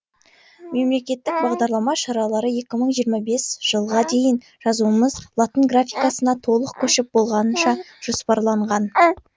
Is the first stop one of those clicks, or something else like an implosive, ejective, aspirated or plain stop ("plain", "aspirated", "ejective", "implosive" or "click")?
plain